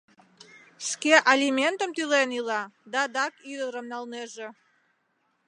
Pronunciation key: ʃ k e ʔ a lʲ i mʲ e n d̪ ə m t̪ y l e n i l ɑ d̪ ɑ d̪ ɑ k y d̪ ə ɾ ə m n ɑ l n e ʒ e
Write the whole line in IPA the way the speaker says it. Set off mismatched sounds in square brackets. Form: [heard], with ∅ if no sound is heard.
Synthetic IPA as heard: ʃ k e ʔ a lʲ i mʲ e n [t̪] ə m t̪ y l e n i l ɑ d̪ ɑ d̪ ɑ k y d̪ ə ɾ ə m n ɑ l n e ʒ e